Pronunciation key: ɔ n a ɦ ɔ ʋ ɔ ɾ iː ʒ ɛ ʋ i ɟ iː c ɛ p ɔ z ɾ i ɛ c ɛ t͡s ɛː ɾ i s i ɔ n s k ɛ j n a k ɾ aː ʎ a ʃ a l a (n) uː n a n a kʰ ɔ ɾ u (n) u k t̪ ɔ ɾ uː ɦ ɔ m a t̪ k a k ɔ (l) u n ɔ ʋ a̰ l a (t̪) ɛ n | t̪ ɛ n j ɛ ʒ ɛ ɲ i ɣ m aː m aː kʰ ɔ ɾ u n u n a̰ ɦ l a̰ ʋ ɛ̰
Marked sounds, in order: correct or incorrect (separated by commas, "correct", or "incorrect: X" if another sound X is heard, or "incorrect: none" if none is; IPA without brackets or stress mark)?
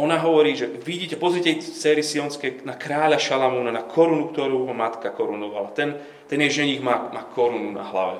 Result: incorrect: m, correct, incorrect: ɾ, correct